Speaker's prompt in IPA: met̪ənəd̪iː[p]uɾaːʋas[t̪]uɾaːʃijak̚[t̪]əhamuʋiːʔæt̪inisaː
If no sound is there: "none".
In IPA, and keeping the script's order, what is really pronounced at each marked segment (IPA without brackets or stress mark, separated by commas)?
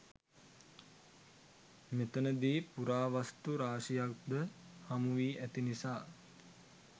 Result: p, t̪, d̪